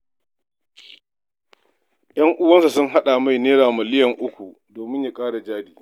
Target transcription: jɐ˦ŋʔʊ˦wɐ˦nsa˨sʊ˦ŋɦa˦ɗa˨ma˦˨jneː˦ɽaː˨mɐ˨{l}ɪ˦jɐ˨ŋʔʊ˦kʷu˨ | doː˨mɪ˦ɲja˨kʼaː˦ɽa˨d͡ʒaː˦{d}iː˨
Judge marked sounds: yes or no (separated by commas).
yes, yes